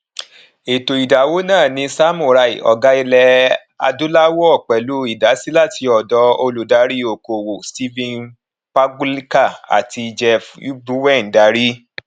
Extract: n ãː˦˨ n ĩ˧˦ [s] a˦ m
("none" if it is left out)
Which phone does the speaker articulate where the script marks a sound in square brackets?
s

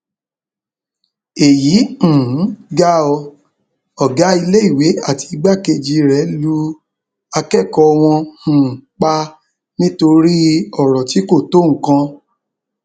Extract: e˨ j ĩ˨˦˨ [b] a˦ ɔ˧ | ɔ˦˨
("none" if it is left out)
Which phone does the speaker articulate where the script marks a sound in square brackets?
ɡ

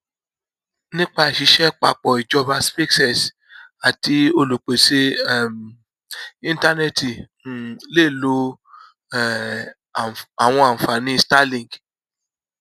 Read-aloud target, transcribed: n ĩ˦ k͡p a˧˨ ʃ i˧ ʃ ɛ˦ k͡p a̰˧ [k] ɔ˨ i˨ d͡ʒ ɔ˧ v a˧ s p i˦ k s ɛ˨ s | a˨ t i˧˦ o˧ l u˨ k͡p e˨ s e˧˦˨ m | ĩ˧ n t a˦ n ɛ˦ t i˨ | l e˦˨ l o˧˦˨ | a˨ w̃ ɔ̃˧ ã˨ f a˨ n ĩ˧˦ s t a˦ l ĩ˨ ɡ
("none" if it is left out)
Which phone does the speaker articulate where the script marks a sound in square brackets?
k͡p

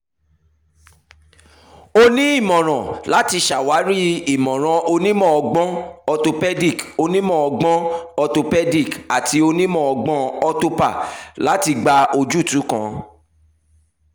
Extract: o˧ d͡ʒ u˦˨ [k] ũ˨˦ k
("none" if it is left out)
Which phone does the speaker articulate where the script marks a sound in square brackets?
t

